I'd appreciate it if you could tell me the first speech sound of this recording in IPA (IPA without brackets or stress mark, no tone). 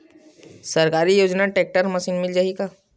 s